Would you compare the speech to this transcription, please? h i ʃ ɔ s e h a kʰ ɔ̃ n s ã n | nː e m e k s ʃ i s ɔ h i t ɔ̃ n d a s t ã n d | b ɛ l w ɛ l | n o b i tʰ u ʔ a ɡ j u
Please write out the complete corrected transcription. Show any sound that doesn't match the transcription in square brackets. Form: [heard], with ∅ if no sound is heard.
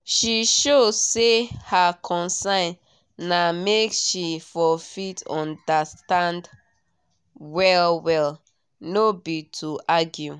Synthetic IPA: [ʃ] i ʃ [o] s e h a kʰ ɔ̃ n s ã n | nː [a] m e k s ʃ i [f] ɔ [f] i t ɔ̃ n d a s t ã n d | [w] ɛ l w ɛ l | n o b i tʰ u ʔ a ɡ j u

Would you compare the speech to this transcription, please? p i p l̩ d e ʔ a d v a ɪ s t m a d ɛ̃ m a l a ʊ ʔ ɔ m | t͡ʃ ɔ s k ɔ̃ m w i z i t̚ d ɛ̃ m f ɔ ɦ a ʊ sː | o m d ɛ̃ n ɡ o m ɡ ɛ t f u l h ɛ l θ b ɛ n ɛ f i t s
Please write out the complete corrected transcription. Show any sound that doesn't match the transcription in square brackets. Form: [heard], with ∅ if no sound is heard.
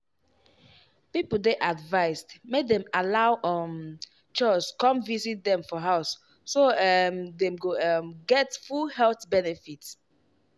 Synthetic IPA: p i p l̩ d e ʔ a d v a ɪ s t m [e] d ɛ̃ m a l a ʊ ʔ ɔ m | t͡ʃ ɔ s k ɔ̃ m [v] i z i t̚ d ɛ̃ m f ɔ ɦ a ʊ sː | o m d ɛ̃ [m] ɡ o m ɡ ɛ t f u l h ɛ l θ b ɛ n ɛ f i t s

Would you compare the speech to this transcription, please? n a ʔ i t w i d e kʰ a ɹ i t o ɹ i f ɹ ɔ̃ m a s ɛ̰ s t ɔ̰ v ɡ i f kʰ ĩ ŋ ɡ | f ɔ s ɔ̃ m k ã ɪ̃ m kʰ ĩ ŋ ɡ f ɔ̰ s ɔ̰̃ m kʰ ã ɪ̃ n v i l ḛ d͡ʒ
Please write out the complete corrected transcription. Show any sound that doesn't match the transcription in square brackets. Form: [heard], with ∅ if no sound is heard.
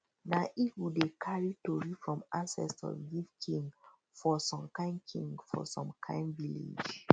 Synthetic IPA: n a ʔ i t w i d e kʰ a ɹ i t o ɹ i f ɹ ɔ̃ m a s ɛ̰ s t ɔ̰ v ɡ i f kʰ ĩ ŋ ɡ | f ɔ s ɔ̃ m k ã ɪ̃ [n] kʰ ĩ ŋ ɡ f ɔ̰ s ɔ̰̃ m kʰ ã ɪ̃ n v i l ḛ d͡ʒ

